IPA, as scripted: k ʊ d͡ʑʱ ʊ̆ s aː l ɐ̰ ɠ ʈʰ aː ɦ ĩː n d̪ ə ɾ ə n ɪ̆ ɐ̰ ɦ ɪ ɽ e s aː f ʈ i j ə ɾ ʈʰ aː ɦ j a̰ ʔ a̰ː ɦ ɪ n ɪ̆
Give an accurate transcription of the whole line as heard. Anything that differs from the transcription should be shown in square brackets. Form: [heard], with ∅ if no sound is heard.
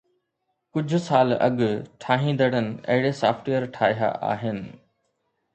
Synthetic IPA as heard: k ʊ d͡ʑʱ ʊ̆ s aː l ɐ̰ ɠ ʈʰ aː ɦ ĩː n d̪ ə [ɽ] ə n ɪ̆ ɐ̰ ɦ ɪ ɽ e s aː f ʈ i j ə ɾ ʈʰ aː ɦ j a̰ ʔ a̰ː ɦ ɪ n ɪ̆